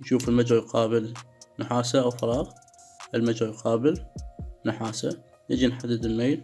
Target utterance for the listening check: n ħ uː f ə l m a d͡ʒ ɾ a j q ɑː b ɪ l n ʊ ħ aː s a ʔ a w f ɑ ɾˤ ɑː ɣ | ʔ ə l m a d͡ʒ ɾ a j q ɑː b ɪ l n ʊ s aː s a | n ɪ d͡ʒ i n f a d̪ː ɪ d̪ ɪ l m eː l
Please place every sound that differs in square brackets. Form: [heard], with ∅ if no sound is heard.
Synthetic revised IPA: n [ʃ] uː f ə l m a d͡ʒ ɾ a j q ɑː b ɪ l n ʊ ħ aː s a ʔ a w f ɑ ɾˤ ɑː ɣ | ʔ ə l m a d͡ʒ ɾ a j q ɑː b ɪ l n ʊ [ħ] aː s a | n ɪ d͡ʒ i n [ħ] a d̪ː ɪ d̪ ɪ l m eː l